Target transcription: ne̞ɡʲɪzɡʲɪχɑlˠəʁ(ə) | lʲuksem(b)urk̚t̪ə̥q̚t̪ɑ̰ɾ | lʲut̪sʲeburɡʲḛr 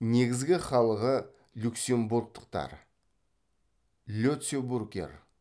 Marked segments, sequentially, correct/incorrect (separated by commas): correct, correct